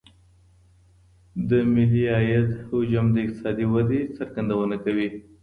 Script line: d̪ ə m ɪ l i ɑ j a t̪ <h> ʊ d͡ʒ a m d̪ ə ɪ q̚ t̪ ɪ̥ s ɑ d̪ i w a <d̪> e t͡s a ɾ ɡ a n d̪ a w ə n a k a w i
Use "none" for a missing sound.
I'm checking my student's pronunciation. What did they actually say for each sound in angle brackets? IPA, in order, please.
h, d̪

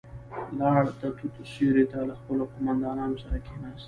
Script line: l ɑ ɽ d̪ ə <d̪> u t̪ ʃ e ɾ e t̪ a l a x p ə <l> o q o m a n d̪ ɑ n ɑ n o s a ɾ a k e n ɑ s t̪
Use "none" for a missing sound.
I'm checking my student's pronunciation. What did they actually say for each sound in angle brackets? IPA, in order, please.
t̪, l

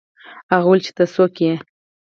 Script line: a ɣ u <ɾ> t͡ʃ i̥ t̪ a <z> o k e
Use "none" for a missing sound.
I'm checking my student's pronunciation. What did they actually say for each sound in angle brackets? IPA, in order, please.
l, s

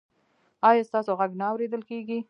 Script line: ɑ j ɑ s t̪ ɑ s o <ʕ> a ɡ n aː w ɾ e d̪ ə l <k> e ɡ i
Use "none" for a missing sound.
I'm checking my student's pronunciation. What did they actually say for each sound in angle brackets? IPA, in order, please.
ɣ, k

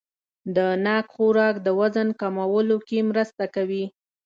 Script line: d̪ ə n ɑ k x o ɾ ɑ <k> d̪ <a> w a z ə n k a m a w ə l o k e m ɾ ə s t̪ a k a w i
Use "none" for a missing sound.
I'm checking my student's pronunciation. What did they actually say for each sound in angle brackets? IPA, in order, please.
k, ə

